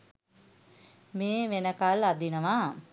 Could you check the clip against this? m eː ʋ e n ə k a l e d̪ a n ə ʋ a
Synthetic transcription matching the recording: m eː ʋ e n ə k a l a d̪ i n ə ʋ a